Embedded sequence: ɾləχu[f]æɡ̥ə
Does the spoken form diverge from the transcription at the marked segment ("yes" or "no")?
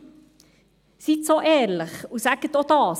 yes